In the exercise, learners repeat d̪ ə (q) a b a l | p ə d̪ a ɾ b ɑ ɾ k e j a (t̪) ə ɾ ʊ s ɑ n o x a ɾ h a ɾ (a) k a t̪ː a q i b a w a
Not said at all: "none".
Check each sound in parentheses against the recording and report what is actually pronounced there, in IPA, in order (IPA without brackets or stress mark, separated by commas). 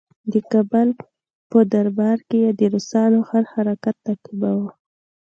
k, d̪, a